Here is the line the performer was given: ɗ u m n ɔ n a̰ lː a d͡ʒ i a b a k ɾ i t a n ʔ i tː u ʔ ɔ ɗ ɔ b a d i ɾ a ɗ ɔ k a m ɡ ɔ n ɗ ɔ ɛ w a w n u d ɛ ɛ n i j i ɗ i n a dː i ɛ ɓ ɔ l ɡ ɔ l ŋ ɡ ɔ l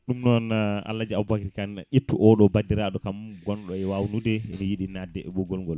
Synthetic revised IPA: ɗ u m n ɔ n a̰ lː a d͡ʒ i a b a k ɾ i k a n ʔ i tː u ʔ ɔ ɗ ɔ b a d i ɾ a ɗ ɔ k a m ɡ ɔ n ɗ ɔ ɛ w a w n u d ɛ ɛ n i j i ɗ i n a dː ɛ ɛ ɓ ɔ ɡ ɔ l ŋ ɡ ɔ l